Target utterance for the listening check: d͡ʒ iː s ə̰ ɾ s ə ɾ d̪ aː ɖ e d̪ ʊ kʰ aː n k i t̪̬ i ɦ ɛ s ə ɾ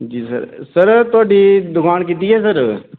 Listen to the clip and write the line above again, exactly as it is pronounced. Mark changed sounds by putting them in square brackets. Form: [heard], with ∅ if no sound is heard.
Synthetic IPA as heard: d͡ʒ iː s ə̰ ɾ s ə ɾ [t̪] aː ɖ [i] d̪ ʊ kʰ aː n k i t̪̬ i ɦ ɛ s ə ɾ